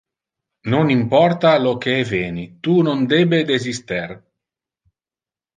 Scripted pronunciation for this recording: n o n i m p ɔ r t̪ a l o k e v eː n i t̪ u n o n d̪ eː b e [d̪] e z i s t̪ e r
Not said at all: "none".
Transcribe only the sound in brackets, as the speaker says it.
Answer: d̪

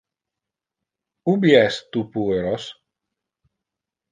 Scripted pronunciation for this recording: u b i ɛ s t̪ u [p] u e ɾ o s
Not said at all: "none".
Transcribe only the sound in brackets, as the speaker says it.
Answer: p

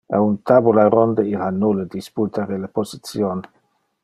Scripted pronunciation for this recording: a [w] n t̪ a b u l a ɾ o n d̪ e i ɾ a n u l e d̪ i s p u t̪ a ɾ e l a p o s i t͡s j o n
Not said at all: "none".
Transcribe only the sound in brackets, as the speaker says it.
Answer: u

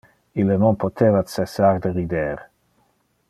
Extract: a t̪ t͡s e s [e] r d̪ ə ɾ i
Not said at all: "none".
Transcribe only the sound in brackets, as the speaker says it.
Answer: a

